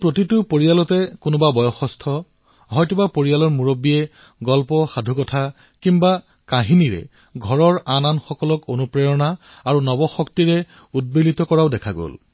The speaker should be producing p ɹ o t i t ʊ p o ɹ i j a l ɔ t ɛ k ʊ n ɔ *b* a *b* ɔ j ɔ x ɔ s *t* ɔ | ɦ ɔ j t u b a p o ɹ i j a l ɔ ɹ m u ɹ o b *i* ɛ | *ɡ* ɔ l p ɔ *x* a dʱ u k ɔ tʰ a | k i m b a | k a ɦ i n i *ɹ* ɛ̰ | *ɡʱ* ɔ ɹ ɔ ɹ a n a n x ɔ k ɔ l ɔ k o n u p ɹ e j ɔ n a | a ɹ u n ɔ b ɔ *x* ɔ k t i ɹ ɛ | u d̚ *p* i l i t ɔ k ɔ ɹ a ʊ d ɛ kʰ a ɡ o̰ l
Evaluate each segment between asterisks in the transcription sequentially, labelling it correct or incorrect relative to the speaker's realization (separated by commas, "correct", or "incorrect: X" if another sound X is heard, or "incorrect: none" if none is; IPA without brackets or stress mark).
correct, correct, incorrect: tʰ, correct, correct, correct, correct, correct, correct, incorrect: b